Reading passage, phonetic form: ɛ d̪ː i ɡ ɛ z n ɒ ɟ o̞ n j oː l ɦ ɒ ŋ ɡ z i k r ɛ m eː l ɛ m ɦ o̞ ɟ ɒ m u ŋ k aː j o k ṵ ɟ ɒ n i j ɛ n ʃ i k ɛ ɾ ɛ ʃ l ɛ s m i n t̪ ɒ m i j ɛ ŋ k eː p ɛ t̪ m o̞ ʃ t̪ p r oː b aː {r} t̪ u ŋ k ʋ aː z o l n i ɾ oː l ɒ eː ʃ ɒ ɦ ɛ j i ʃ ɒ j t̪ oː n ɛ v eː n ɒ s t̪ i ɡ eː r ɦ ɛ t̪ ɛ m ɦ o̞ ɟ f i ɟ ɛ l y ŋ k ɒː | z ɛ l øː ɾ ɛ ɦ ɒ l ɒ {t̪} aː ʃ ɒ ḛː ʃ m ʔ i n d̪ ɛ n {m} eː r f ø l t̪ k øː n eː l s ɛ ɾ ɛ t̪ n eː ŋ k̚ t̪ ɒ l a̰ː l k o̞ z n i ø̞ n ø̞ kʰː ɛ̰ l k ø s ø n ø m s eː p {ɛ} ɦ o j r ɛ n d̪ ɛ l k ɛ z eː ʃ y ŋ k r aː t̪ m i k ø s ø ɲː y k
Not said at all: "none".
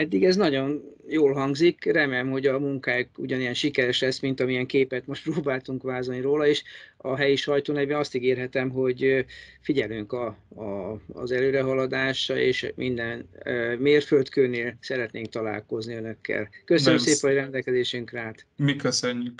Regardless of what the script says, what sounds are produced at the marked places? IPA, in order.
l, d̪, m, ɛ

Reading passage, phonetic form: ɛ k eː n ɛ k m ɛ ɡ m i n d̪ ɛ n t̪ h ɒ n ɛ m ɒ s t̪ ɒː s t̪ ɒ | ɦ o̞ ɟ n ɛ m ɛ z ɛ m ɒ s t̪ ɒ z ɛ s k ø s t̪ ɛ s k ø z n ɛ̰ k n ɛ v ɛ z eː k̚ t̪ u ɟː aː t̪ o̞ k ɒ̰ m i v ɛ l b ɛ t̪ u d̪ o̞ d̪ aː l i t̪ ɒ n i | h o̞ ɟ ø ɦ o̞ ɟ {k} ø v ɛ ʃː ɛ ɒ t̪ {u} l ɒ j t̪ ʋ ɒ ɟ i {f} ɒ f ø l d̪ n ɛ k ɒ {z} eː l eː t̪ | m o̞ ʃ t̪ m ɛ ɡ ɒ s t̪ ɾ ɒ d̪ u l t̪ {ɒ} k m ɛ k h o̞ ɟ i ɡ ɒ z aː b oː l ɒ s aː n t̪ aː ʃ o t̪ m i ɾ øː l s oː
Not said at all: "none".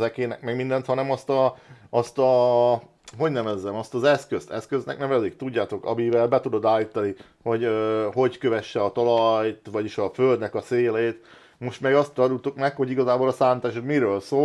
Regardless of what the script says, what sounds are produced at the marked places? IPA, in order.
k, ɒ, ʃ, s, u

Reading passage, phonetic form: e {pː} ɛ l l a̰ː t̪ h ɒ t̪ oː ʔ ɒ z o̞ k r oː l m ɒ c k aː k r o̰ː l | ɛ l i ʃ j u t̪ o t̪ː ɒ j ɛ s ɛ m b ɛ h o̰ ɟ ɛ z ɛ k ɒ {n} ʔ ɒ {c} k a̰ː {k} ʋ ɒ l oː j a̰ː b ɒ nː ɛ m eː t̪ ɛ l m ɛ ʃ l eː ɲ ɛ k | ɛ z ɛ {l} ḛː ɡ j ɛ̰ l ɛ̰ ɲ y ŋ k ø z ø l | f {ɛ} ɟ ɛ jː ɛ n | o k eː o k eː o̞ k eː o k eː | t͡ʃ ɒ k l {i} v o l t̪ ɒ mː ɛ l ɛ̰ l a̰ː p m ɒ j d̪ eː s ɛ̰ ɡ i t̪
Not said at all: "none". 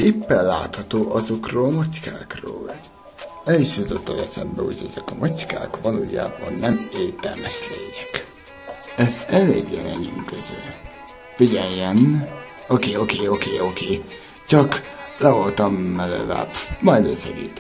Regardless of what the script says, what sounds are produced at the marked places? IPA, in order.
pː, m, c, k, l, i, ɛ

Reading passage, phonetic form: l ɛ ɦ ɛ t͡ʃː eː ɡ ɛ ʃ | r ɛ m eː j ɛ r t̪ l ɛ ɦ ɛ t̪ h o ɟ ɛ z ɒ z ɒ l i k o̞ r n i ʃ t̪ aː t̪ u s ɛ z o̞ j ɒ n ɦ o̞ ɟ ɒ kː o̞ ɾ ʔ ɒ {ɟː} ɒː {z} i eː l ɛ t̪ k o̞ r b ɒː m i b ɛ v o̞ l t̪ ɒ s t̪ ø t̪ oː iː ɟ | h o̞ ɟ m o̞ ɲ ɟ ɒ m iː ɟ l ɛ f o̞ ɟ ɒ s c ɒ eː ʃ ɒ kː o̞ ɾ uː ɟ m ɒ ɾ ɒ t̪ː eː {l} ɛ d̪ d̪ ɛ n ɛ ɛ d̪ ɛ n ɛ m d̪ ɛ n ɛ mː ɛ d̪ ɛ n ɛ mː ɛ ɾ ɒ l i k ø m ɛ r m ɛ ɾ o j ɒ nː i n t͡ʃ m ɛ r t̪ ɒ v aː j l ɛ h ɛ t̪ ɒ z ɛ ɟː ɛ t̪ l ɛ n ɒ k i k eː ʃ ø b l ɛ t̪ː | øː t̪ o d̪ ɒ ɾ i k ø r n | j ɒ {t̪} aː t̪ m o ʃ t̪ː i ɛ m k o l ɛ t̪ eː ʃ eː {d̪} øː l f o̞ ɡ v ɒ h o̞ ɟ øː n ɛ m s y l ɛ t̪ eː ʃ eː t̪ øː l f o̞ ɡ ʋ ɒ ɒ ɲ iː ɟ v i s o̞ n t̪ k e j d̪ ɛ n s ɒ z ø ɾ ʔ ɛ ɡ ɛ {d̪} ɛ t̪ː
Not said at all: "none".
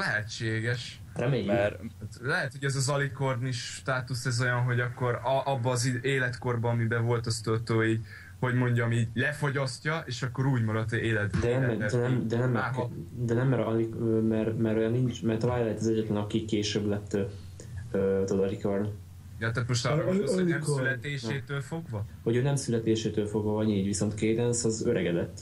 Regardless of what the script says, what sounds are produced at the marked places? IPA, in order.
bː, z, l, t̪, t̪, d̪

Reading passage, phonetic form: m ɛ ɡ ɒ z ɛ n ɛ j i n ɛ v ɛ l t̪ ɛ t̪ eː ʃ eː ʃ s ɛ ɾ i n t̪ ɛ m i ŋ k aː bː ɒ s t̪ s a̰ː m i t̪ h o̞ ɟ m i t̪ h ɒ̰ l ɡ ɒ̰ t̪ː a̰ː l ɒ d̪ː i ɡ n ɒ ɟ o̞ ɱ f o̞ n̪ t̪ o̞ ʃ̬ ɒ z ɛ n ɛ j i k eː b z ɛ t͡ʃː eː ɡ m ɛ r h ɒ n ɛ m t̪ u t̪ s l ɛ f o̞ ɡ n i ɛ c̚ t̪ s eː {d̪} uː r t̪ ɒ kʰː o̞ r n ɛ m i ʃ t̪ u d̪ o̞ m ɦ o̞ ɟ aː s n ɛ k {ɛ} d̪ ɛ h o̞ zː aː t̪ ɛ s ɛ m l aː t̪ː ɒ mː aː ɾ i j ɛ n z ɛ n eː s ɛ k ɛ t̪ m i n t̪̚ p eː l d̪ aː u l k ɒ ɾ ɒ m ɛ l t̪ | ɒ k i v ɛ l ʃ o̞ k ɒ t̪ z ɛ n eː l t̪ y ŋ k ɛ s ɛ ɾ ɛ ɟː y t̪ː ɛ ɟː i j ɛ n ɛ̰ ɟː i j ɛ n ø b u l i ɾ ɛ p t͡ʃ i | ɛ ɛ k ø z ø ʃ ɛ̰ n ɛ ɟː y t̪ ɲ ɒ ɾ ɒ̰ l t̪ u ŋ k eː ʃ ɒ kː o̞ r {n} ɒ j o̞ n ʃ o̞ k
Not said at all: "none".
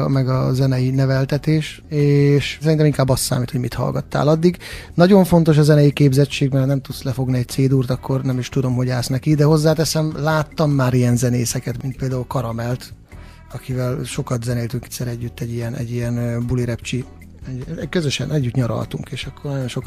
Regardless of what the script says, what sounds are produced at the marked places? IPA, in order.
d̪, i, n

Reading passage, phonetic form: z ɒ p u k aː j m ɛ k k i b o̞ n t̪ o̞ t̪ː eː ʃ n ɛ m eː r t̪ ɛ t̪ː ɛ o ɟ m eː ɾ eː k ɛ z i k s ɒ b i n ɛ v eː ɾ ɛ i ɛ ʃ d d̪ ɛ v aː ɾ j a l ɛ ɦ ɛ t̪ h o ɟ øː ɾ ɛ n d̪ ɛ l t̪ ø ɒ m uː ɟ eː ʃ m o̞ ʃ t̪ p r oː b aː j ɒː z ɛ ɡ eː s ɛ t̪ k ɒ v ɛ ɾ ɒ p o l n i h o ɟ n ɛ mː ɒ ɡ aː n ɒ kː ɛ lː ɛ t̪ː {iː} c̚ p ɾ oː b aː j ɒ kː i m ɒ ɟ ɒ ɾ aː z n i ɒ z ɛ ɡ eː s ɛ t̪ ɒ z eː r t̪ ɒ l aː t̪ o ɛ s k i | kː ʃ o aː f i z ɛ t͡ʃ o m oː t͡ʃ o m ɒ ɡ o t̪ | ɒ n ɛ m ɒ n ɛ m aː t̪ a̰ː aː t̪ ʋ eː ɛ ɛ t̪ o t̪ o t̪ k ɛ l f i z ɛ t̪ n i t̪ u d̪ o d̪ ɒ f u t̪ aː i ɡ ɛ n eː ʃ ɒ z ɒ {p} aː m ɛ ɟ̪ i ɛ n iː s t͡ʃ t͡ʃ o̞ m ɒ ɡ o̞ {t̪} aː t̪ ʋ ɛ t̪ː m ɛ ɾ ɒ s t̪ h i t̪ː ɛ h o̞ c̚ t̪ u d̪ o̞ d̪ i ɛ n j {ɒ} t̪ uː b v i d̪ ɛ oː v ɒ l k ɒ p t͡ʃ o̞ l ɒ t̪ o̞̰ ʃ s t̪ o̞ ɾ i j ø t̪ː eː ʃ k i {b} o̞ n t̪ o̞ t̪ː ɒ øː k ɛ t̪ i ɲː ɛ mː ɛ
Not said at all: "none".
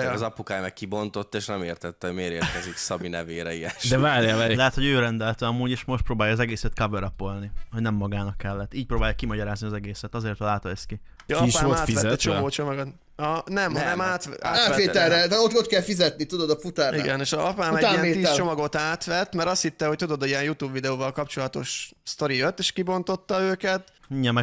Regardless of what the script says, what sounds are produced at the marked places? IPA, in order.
iː, p, t̪, u, b

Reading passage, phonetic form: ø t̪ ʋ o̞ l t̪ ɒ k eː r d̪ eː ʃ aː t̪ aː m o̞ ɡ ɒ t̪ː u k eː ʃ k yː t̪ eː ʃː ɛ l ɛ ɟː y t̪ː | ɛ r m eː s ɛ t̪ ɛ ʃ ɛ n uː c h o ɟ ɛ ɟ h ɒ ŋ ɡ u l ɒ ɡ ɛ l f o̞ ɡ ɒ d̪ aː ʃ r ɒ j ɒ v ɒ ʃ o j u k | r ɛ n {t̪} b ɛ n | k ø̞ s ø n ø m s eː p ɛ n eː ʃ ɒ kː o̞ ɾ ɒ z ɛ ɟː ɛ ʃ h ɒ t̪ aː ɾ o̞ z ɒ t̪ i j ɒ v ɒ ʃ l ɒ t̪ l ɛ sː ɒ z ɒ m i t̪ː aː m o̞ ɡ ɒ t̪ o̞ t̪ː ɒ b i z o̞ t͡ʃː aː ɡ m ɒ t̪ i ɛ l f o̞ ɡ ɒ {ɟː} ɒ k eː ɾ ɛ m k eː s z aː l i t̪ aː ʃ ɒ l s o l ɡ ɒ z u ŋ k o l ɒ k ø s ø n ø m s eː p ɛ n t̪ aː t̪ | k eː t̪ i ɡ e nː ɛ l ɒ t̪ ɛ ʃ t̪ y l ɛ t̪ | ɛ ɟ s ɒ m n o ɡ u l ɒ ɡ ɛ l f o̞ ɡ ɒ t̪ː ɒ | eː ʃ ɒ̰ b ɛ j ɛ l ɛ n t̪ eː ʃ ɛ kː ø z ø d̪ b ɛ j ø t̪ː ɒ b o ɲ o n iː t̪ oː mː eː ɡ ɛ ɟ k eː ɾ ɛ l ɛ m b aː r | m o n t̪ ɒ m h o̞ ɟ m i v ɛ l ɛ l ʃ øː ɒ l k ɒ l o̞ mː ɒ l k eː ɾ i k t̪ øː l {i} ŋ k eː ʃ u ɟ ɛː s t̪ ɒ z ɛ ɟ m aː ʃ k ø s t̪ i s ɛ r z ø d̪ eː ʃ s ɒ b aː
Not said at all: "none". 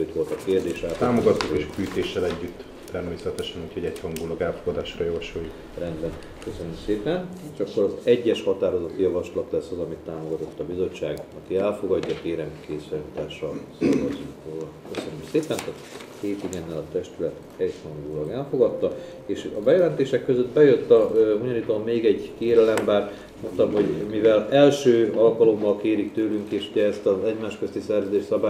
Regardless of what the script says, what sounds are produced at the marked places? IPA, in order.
d̪, ɟː, y

